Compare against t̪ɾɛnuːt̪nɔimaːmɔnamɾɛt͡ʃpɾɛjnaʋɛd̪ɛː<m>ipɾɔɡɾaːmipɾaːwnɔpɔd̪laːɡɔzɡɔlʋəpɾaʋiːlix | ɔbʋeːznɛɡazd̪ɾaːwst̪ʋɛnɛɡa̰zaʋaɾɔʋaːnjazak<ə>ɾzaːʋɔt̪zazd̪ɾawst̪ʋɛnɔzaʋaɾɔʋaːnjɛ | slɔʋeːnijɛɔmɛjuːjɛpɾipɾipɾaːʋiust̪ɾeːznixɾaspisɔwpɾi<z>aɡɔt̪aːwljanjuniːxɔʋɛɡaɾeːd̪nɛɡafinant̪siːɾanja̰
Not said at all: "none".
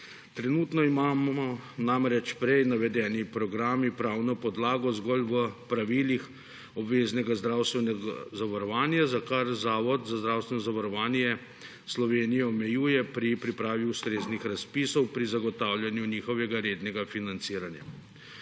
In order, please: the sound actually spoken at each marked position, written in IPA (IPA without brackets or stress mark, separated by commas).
n, a, z